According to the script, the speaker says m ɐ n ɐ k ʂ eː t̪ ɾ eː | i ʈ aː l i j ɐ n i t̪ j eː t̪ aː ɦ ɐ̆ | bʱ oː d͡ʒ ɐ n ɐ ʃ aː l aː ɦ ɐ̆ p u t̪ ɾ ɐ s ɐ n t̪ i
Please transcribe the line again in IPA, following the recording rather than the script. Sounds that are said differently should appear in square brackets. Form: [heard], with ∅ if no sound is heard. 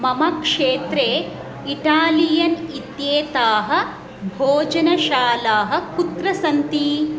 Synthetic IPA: m ɐ [m] ɐ k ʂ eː t̪ ɾ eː | i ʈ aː l i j ɐ n i t̪ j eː t̪ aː ɦ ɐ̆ | bʱ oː d͡ʒ ɐ n ɐ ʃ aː l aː ɦ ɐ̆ [k] u t̪ ɾ ɐ s ɐ n t̪ i